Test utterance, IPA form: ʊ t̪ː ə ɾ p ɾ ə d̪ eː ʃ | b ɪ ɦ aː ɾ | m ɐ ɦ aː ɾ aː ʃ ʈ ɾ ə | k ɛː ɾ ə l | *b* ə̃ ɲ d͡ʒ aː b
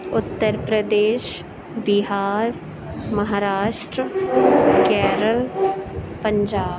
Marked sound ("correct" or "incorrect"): incorrect